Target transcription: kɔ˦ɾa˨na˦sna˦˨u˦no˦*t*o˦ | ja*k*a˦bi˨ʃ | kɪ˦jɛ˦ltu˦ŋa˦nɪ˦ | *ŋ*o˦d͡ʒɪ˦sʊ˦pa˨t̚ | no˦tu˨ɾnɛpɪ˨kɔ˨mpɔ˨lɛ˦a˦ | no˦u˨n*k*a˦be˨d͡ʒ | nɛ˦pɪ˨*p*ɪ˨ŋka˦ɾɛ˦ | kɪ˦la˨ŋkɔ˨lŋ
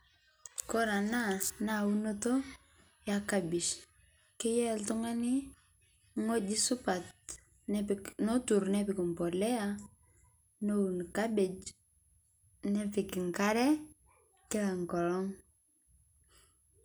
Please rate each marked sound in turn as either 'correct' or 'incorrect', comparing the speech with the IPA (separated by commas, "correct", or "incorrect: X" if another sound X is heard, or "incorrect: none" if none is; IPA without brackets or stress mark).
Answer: correct, correct, correct, correct, incorrect: k